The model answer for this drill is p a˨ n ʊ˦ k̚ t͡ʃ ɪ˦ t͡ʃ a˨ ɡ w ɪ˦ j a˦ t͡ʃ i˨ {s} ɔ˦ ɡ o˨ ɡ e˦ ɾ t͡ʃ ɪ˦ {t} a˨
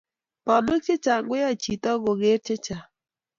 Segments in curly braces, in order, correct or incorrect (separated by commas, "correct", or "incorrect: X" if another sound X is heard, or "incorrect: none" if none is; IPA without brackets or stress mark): incorrect: t, incorrect: t͡ʃ